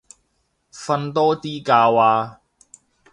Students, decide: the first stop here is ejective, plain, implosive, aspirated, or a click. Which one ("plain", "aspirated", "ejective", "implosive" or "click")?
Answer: plain